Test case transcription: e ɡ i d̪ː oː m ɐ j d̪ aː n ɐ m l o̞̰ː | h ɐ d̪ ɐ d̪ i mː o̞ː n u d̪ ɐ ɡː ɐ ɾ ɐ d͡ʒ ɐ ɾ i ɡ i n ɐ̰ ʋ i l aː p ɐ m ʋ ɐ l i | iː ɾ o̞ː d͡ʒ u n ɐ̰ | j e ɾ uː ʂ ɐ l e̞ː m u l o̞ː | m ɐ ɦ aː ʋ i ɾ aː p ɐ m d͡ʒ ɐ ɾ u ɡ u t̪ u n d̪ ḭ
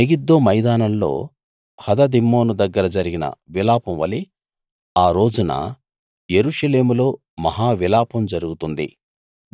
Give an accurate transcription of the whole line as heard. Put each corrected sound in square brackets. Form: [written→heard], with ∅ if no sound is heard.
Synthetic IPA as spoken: e ɡ i d̪ː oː m ɐ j d̪ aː n ɐ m l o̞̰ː | h ɐ d̪ ɐ d̪ i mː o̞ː n u d̪ ɐ ɡː ɐ ɾ ɐ d͡ʒ ɐ ɾ i ɡ i n ɐ̰ ʋ i l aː p ɐ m ʋ ɐ l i | [iː→aː] ɾ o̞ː d͡ʒ u n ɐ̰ | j e ɾ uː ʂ ɐ l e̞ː m u l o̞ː | m ɐ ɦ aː ʋ i [ɾ→l] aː p ɐ m d͡ʒ ɐ ɾ u ɡ u t̪ u n d̪ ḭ